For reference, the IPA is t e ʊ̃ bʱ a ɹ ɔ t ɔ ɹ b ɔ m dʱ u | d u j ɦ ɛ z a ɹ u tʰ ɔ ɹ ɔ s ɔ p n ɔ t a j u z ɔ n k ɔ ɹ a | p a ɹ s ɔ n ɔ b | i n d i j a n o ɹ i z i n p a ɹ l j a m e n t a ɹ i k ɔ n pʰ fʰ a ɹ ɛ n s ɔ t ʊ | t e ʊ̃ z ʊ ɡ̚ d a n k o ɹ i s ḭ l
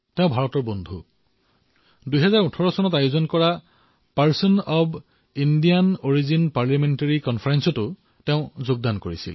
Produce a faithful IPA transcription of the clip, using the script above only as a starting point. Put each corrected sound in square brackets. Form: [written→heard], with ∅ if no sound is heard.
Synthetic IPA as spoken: t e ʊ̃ bʱ a ɹ ɔ t ɔ ɹ b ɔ [m→n] dʱ u | d u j ɦ ɛ z a ɹ u tʰ ɔ ɹ ɔ s ɔ [p→∅] n ɔ t a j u z ɔ n k ɔ ɹ a | p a ɹ s ɔ n ɔ b | i n d i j a n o ɹ i z i n p a ɹ l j a m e n t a ɹ i k ɔ n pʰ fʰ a ɹ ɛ n s ɔ t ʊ | t e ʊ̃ z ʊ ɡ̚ d a n k o ɹ i s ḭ l